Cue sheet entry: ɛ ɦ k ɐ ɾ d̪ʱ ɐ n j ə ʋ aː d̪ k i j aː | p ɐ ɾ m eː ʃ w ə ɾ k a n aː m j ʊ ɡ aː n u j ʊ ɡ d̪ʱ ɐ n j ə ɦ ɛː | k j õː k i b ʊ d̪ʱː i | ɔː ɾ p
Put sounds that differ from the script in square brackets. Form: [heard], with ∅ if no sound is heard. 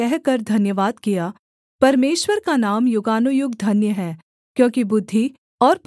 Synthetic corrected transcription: ɛ ɦ k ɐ ɾ d̪ʱ ɐ n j ə ʋ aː d̪ k i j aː | p ɐ ɾ m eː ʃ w ə ɾ k a n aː m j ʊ ɡ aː n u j ʊ ɡ d̪ʱ ɐ n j ə ɦ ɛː | k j õː k i b ʊ d̪ʱː i | ɔː ɾ p